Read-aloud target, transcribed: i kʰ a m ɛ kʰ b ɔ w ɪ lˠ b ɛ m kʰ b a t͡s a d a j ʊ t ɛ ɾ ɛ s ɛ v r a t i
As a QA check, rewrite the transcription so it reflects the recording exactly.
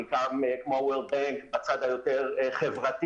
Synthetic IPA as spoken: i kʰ a m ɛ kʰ m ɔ w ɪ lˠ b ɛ ŋ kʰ b a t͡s a d a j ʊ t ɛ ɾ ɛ χ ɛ v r a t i